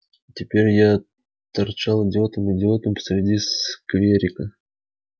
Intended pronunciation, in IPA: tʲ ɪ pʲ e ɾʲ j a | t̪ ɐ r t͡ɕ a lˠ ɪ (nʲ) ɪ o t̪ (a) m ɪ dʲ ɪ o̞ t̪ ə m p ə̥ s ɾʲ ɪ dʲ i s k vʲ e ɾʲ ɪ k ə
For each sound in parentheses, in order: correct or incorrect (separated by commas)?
incorrect, incorrect